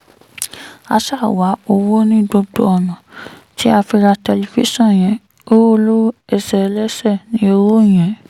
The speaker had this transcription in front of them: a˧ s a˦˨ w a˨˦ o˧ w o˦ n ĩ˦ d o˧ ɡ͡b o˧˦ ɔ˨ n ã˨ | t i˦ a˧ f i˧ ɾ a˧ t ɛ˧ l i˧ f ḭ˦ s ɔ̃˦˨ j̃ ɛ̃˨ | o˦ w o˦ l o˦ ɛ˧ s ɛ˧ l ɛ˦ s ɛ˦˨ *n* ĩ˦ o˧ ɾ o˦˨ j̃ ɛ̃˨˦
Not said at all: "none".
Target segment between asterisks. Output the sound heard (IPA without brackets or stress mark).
n